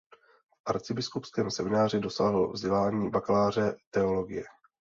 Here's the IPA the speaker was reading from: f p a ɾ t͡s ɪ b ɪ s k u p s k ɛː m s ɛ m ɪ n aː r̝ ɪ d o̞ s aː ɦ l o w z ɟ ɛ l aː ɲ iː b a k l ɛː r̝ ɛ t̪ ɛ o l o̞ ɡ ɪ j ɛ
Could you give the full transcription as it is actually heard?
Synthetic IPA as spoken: f ʔ a ɾ t͡s ɪ b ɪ s k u p s k ɛː m s ɛ m ɪ n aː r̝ ɪ d o̞ s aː ɦ l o v z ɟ ɛ l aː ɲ iː b a k l aː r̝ ɛ t̪ ɛ o l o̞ ɡ ɪ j ɛ